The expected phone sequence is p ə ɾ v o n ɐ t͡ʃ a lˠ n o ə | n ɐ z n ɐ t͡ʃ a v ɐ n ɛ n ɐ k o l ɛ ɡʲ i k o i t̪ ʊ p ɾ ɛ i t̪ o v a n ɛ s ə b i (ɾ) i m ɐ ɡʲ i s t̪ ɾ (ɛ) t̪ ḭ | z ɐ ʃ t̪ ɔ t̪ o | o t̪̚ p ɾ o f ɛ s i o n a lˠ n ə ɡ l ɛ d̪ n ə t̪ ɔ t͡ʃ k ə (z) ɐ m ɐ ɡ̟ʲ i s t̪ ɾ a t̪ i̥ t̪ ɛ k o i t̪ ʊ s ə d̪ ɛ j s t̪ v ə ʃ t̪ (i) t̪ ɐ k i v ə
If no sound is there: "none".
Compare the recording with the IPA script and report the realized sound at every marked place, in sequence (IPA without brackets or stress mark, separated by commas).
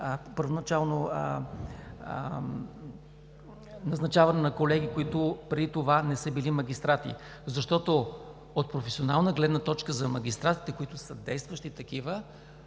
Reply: l, a, z, i